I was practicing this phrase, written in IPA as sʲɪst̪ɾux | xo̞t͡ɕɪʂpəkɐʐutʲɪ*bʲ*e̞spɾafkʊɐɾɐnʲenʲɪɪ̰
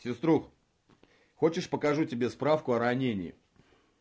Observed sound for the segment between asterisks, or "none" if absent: bʲ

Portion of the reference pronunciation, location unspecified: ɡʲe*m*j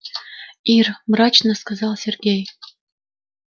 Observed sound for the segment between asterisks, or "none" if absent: none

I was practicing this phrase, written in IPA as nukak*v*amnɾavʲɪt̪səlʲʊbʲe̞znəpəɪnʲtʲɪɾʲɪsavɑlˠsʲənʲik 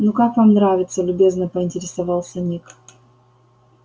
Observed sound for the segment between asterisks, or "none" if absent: v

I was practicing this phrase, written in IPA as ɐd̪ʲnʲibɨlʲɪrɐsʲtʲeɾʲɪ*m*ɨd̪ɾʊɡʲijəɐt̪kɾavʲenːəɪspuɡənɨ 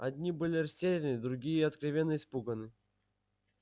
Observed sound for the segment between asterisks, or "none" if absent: n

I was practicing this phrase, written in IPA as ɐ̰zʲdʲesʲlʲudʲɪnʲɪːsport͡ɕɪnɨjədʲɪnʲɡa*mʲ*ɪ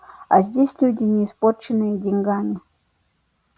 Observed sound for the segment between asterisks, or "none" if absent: mʲ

